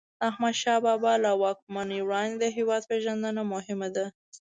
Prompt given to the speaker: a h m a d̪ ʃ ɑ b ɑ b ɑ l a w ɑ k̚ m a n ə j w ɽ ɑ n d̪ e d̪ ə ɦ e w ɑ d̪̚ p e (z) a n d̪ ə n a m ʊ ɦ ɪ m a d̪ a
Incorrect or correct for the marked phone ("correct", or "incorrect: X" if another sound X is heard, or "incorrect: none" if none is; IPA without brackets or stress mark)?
incorrect: ʒ